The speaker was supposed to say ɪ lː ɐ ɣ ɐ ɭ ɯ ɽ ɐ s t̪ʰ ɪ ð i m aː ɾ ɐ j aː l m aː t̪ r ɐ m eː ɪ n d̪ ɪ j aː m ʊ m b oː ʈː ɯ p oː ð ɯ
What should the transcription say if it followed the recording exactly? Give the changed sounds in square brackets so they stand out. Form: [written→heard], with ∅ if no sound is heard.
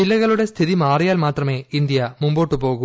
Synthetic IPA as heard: ɪ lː ɐ ɣ ɐ ɭ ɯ ɽ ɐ s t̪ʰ ɪ ð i m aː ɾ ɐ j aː l m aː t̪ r ɐ m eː ɪ n d̪ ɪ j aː m ʊ m b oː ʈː ɯ p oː [ð→ɣ] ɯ